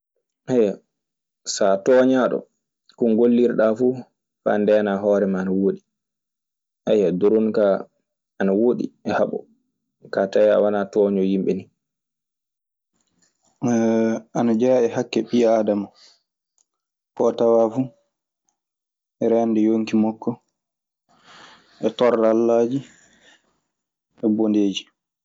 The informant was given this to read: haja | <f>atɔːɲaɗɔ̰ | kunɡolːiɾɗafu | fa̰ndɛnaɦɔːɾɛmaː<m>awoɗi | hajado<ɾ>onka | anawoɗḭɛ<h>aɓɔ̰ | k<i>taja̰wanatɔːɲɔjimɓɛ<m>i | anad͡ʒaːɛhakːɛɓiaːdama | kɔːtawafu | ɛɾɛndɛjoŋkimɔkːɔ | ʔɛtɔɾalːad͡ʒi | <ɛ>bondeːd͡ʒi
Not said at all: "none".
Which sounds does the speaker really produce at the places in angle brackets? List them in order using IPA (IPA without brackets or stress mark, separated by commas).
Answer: s, n, ɾ, h, a, n, ɛ